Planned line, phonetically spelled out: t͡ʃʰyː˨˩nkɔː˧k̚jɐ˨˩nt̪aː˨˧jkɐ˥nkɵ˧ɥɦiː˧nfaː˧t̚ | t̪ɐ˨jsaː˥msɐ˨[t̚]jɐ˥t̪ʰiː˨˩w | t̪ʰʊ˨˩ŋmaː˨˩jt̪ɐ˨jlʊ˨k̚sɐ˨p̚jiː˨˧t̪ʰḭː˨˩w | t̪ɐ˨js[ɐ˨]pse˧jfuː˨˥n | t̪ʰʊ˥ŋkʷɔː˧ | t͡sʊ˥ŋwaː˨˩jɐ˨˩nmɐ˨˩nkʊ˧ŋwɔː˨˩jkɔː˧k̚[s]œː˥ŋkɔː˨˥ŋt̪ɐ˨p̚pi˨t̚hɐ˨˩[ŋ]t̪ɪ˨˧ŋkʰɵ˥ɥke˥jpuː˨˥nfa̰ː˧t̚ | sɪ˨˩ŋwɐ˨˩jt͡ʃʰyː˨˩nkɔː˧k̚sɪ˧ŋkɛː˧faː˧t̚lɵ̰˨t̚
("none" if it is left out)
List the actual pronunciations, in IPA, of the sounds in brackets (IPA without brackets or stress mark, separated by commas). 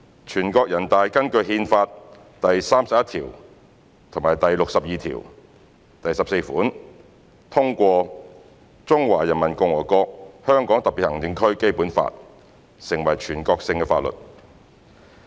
p̚, ɐ˨, h, ŋ